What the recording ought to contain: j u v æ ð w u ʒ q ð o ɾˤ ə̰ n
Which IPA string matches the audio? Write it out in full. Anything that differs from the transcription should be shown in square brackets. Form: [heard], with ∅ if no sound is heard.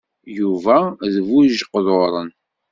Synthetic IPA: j u v æ ð [v] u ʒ q ð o ɾˤ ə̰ n